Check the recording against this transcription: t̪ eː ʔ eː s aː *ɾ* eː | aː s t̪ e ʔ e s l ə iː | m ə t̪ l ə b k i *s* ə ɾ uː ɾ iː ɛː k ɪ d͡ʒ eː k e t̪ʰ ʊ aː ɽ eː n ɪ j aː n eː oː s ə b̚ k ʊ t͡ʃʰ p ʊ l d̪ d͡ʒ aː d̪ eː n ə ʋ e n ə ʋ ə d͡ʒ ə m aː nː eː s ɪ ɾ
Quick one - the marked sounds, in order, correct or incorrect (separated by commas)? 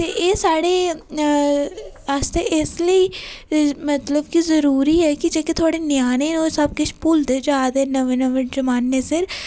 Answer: incorrect, incorrect